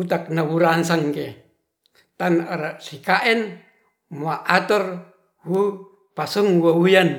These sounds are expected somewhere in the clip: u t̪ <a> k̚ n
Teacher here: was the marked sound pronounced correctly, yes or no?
yes